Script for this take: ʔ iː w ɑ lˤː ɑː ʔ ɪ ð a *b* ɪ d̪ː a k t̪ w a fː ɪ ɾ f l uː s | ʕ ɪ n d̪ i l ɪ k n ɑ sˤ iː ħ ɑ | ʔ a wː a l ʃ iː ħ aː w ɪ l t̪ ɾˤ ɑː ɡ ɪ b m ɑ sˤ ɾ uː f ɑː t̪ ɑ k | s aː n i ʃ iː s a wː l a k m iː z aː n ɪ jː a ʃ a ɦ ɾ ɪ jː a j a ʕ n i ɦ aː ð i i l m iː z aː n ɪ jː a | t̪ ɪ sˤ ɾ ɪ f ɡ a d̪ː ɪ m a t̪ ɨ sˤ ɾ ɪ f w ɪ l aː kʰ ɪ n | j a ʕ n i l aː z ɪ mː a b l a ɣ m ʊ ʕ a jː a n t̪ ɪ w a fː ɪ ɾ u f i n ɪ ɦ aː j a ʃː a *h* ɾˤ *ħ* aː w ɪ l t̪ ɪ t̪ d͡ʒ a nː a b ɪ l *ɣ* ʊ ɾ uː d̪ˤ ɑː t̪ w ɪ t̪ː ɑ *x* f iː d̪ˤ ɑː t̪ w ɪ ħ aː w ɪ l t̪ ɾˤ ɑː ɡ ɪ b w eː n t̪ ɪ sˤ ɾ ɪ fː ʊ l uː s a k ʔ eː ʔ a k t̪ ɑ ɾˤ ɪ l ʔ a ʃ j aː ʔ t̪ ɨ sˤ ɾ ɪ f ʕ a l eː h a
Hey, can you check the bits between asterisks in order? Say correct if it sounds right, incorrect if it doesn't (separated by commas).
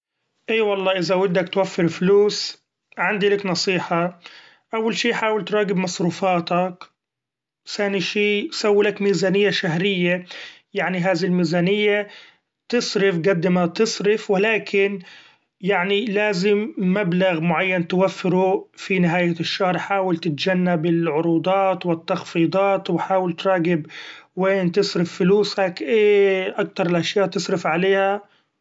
incorrect, correct, correct, incorrect, correct